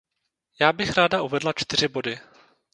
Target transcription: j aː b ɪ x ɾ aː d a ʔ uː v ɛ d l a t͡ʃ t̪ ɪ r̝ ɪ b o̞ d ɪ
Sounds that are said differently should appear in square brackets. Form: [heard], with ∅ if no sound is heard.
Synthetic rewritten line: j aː b ɪ x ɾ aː d a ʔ [u] v ɛ d l a t͡ʃ t̪ ɪ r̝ ɪ b o̞ d ɪ